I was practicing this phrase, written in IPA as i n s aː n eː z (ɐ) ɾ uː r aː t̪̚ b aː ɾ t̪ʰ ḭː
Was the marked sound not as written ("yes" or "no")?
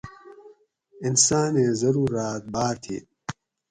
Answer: no